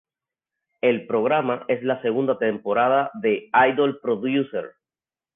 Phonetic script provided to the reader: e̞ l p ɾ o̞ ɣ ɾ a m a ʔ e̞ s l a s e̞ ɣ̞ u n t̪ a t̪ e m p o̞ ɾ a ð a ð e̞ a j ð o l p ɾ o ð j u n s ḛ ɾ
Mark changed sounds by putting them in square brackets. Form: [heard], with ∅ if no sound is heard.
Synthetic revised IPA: e̞ l p ɾ o̞ ɣ ɾ a m a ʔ e̞ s l a s e̞ ɣ̞ u n [d̪] a t̪ e m p o̞ ɾ a ð a ð e̞ a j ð o l p ɾ o ð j u [∅] s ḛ ɾ